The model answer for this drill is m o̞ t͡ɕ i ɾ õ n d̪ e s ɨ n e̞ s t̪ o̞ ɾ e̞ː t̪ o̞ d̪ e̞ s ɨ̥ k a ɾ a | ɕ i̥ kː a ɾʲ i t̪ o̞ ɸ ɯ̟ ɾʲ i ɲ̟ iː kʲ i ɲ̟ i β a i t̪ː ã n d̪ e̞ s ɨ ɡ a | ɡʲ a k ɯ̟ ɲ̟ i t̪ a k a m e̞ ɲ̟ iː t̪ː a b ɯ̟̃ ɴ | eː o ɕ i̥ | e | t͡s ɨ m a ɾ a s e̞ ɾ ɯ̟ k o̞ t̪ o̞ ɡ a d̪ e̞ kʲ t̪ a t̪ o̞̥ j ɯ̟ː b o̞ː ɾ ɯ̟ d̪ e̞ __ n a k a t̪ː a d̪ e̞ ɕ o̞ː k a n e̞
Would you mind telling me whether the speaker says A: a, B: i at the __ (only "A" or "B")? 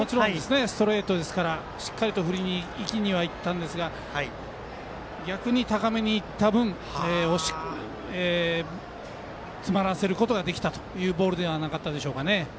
A